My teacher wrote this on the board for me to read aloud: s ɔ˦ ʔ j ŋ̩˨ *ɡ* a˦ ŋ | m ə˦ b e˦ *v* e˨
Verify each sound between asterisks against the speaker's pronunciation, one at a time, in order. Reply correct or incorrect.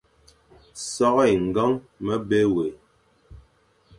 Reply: correct, incorrect: w

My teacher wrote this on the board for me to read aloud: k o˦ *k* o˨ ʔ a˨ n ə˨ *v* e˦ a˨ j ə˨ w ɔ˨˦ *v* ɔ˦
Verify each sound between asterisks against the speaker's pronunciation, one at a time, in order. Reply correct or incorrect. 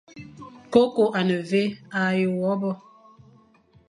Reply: correct, correct, incorrect: b

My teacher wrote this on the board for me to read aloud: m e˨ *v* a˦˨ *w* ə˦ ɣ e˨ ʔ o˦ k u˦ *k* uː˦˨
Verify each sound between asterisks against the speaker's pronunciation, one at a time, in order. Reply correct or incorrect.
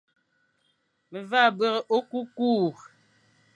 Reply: correct, incorrect: b, correct

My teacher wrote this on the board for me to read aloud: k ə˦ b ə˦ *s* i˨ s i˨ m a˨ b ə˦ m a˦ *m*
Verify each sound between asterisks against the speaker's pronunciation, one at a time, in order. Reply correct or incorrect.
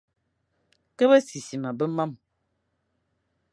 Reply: correct, correct

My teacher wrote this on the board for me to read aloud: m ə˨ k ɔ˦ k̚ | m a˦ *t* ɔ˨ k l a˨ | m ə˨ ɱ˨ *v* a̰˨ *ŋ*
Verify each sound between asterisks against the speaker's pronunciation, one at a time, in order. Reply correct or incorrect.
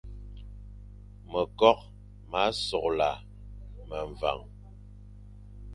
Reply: incorrect: s, correct, correct

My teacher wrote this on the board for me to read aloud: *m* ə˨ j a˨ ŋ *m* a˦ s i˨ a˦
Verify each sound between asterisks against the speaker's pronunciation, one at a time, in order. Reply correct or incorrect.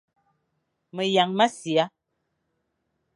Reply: correct, correct

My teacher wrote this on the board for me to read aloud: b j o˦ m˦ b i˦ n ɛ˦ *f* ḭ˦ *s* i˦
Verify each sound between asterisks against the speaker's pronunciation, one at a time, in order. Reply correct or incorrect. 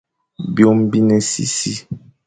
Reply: incorrect: s, correct

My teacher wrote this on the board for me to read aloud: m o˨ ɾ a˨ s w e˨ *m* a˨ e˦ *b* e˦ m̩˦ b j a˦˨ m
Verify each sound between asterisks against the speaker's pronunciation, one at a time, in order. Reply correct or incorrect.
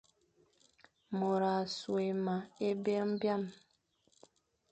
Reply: correct, correct

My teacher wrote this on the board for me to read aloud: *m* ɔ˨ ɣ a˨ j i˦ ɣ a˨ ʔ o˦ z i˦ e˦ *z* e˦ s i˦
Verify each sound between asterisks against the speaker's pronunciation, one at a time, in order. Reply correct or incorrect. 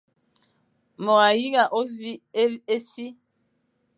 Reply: correct, incorrect: none

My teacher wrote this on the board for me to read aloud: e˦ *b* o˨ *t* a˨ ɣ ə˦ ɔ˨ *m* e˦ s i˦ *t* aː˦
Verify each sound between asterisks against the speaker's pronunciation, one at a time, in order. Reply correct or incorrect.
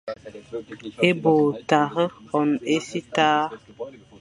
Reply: correct, correct, incorrect: n, correct

